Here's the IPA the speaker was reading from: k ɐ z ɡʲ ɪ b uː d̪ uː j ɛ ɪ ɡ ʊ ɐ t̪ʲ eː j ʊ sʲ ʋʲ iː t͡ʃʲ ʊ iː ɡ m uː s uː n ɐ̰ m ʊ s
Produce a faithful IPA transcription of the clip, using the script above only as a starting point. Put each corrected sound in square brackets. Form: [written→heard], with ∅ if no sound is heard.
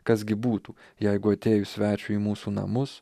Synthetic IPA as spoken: k ɐ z ɡʲ ɪ b uː [d̪→t̪] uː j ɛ ɪ ɡ ʊ ɐ t̪ʲ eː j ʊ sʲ ʋʲ [iː→æː] t͡ʃʲ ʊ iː [ɡ→∅] m uː s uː n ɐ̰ m ʊ s